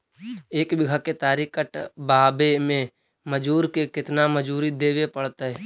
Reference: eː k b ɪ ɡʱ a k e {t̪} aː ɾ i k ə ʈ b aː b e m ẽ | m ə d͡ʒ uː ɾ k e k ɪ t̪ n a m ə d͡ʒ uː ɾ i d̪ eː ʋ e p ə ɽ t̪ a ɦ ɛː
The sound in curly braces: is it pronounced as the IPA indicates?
yes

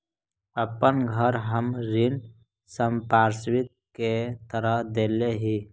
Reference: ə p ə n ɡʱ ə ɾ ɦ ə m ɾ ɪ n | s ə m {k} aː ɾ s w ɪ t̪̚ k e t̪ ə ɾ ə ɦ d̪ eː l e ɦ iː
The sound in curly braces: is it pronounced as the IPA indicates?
no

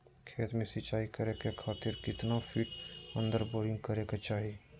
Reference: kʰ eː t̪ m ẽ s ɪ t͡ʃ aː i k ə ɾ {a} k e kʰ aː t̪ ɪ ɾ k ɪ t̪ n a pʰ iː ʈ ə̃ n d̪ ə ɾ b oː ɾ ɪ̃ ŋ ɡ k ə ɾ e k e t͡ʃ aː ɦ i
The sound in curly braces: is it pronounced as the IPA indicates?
no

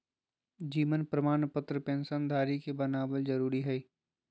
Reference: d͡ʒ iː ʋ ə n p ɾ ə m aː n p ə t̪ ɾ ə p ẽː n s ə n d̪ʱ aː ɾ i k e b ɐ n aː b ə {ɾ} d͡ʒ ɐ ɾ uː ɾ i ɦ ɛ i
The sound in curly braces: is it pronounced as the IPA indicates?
no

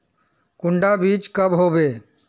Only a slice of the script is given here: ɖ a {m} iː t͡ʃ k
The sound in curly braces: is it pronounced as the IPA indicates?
no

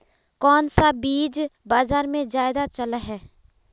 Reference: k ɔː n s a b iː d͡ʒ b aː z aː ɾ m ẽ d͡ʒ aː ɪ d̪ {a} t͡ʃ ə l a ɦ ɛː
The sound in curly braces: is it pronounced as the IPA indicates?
yes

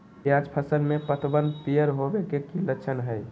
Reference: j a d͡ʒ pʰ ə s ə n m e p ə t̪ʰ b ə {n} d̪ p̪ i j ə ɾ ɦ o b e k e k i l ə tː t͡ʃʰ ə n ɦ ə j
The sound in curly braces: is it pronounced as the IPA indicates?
yes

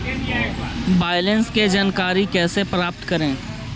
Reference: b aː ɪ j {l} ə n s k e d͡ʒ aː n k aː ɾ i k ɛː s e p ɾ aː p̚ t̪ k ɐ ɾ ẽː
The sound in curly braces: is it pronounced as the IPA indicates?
yes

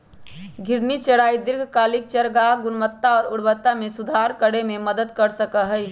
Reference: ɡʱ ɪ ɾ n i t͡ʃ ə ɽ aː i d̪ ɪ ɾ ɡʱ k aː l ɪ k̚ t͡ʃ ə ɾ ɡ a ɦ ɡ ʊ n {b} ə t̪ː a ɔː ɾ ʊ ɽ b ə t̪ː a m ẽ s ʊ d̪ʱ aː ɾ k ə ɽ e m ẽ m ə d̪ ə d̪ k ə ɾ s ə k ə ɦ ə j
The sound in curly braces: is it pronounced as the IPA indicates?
no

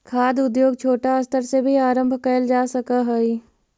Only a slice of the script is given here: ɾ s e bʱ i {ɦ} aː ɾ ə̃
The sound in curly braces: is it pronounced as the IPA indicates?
no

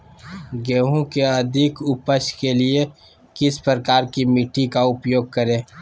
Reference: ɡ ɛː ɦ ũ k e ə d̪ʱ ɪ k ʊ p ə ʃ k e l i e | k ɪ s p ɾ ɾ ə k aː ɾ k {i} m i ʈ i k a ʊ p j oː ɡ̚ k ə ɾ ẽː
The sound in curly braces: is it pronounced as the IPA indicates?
yes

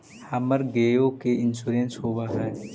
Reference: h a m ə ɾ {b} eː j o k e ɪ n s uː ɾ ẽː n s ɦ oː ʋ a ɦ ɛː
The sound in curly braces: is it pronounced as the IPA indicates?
no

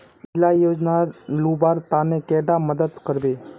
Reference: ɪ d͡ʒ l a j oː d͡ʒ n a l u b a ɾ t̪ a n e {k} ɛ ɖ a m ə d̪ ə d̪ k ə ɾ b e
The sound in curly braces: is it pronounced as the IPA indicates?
yes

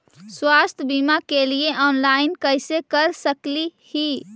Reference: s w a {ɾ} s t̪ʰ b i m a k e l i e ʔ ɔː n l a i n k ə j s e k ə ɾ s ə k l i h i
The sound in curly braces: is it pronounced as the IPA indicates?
no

